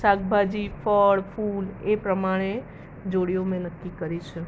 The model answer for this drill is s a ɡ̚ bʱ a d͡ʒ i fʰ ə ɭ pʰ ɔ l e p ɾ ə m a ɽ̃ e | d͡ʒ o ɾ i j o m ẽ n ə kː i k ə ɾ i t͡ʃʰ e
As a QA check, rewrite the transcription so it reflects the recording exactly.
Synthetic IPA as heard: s a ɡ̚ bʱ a d͡ʒ i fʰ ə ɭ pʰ u l e p ɾ ə m a ɽ̃ e | d͡ʒ o ɽ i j o m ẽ n ə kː i k ə ɾ i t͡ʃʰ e